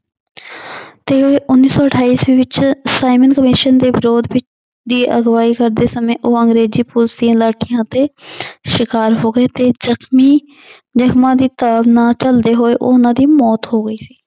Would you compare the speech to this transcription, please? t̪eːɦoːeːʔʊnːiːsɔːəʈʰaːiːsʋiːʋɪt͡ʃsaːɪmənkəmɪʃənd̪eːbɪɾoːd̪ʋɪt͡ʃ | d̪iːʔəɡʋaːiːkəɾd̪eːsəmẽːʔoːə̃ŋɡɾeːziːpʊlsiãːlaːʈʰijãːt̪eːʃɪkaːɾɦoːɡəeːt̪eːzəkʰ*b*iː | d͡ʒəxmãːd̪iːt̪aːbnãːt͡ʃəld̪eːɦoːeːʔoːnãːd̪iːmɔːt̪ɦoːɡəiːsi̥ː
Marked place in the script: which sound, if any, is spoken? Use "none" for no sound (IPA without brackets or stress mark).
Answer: m